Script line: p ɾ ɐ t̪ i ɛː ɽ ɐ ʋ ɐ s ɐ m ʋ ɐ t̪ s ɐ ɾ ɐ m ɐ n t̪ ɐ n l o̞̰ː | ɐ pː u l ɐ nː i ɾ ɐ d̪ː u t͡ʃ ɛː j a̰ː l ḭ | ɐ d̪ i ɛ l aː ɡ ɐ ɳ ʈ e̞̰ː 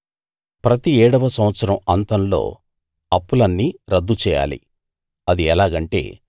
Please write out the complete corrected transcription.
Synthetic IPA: p ɾ ɐ t̪ i ɛː ɽ ɐ ʋ ɐ s ɐ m ʋ ɐ t̪ s ɐ ɾ ɐ m ɐ n t̪ ɐ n l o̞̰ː | ɐ pː u l ɐ nː i ɾ ɐ d̪ː u t͡ʃ ɛː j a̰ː l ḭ | ɐ d̪ i ɛ l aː ɡ ɐ ɳ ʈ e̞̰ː